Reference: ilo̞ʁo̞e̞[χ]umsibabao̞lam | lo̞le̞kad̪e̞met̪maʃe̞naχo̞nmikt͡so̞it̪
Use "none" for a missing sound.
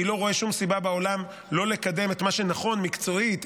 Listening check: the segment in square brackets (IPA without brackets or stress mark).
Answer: ʃ